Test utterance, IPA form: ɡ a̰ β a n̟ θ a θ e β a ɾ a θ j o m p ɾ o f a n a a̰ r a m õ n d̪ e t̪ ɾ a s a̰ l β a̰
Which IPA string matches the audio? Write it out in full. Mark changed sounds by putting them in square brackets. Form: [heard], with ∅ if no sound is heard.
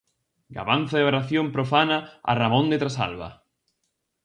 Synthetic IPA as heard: ɡ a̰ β a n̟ θ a [ð] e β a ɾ a θ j o m p ɾ o f a n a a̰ r a m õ n d̪ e t̪ ɾ a s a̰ l β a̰